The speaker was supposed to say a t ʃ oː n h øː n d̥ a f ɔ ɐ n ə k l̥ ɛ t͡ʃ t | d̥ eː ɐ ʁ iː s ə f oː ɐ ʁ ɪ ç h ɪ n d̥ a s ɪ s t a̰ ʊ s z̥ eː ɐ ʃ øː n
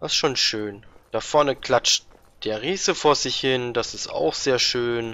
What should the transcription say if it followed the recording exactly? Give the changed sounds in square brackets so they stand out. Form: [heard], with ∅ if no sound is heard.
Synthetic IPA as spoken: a [s] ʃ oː n [ʃ] øː n d̥ a f ɔ ɐ n ə k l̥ [a] t͡ʃ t | d̥ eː ɐ ʁ iː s ə f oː ɐ [z] ɪ ç h ɪ n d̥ a s ɪ s t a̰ ʊ [x] z̥ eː ɐ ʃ øː n

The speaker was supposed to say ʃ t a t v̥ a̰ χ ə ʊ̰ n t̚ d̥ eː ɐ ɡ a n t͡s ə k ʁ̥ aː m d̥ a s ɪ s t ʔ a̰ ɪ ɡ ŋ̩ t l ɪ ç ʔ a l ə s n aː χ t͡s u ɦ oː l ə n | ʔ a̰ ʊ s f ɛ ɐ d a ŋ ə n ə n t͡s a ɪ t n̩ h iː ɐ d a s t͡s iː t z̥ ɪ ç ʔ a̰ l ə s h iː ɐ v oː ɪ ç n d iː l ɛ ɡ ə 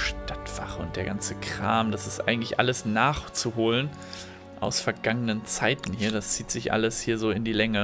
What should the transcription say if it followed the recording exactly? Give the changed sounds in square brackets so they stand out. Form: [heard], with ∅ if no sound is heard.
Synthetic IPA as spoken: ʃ t a t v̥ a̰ χ ə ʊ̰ n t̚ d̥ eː ɐ ɡ a n t͡s ə k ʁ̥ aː m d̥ a s ɪ s t ʔ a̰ ɪ ɡ ŋ̩ t l ɪ ç ʔ a l ə s n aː χ t͡s u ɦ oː l ə n | ʔ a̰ ʊ s f ɛ ɐ [ɡ] a ŋ ə n ə n t͡s a ɪ t n̩ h iː ɐ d a s t͡s iː t z̥ ɪ ç ʔ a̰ l ə s h iː ɐ [z] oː ɪ [∅] n d iː l ɛ [ŋ] ə

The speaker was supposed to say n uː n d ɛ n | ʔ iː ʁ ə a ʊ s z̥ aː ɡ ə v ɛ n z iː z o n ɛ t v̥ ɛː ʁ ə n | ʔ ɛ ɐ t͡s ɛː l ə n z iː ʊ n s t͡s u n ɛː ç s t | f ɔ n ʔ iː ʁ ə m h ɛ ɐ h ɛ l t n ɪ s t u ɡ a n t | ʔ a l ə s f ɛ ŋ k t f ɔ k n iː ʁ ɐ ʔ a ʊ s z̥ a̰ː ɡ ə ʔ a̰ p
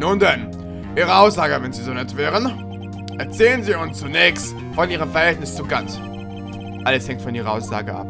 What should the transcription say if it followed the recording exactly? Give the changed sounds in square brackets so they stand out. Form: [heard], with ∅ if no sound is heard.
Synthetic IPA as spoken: n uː n d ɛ n | ʔ iː ʁ ə a ʊ s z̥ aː ɡ ə v ɛ n z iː z o n ɛ t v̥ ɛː ʁ ə n | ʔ ɛ ɐ t͡s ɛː l ə n z iː ʊ n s t͡s u n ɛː ç s t | f ɔ n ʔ iː ʁ ə m [f] ɛ ɐ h ɛ l t n ɪ s [t͡s] u ɡ a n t | ʔ a l ə s [h] ɛ ŋ k t f ɔ [∅] n iː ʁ ɐ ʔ a ʊ s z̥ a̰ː ɡ ə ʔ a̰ p

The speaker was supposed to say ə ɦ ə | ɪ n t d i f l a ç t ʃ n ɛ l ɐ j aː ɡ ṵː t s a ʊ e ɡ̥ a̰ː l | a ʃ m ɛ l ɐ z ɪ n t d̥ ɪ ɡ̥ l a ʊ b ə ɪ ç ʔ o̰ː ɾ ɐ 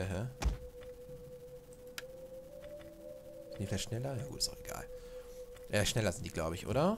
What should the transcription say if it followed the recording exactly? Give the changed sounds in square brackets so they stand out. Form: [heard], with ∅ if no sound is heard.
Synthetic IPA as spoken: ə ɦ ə | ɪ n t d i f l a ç t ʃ n ɛ l ɐ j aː ɡ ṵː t s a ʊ e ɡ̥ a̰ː l | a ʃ [n] ɛ l ɐ z ɪ n t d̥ [i] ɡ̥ l a ʊ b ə ɪ ç ʔ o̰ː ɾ ɐ

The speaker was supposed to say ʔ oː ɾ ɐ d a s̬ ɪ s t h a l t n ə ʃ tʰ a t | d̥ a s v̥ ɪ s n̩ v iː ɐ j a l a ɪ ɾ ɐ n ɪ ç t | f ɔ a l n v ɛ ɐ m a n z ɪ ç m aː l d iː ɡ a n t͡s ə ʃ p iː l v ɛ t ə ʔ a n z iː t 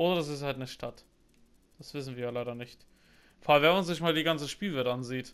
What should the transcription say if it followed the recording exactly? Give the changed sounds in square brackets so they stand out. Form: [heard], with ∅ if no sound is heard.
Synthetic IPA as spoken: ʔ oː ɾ ɐ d a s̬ ɪ s t h a l t n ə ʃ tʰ a t | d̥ a s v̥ ɪ s n̩ v iː ɐ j a l a ɪ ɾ ɐ n ɪ ç t | f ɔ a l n v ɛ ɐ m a n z ɪ ç m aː l d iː ɡ a n t͡s ə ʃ p iː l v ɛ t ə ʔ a n z iː t

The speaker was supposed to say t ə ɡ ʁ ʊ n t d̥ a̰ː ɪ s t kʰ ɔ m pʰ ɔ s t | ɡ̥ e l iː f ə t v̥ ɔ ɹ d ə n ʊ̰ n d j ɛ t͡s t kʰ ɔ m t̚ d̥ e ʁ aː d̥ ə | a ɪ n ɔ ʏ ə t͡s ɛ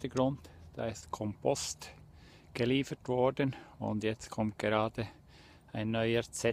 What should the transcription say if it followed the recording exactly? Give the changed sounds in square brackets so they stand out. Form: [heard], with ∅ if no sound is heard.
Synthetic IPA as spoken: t ə ɡ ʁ ʊ n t d̥ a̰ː ɪ s t kʰ ɔ m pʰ ɔ s t | ɡ̥ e l iː f ə t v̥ ɔ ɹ d ə n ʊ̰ n d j ɛ t͡s t kʰ ɔ m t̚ [ɡ̥] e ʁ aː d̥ ə | a ɪ [nː] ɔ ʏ ə t͡s ɛ

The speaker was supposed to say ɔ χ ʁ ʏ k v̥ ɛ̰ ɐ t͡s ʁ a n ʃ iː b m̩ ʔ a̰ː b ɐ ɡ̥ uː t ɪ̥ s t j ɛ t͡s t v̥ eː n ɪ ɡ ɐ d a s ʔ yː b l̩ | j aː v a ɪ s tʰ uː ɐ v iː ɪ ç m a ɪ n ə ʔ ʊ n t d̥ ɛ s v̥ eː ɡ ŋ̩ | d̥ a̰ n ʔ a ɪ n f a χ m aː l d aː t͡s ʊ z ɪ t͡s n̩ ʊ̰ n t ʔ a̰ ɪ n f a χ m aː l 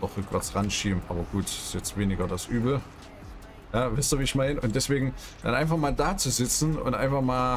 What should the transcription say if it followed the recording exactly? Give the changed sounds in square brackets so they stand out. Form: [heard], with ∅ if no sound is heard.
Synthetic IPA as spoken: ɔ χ ʁ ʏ k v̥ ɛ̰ ɐ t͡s ʁ a n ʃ iː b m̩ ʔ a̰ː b ɐ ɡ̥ uː t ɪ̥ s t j ɛ t͡s t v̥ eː n ɪ ɡ ɐ d a s ʔ yː b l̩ | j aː v a ɪ s [t] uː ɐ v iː ɪ ç m a ɪ n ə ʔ ʊ n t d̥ ɛ s v̥ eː ɡ ŋ̩ | d̥ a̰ n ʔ a ɪ n f a χ m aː l d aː t͡s [u] z ɪ t͡s n̩ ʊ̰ n t ʔ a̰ ɪ n f a χ m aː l

